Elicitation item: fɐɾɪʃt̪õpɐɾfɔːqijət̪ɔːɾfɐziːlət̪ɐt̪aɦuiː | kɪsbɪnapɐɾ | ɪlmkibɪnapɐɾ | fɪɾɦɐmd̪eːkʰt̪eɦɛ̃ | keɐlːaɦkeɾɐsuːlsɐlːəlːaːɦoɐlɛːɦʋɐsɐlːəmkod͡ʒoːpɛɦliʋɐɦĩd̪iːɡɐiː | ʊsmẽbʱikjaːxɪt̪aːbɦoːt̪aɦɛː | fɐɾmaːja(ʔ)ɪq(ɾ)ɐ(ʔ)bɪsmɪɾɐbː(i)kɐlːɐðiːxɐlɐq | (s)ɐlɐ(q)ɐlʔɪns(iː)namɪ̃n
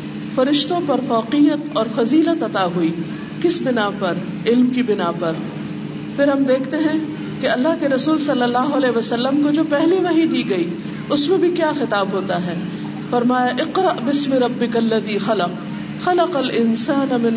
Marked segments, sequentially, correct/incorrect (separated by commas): correct, correct, correct, incorrect, incorrect, correct, incorrect